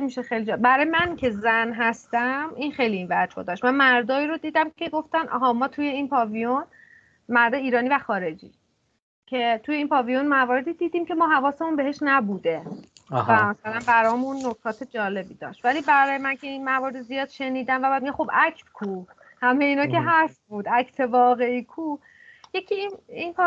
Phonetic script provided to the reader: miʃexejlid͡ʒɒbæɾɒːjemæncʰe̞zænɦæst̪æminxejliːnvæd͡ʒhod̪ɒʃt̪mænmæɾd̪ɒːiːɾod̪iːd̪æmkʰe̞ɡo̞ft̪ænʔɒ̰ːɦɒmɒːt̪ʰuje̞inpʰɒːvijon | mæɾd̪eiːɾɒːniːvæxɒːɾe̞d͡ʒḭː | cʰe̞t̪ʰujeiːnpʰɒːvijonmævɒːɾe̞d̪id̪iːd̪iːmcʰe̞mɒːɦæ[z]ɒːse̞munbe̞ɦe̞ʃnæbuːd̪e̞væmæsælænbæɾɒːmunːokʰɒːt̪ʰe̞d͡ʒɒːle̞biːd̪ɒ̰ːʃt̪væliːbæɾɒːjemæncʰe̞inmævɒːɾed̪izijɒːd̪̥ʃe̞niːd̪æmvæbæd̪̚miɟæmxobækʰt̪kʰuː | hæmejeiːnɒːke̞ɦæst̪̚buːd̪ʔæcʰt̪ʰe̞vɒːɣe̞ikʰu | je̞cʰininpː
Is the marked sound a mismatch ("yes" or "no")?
yes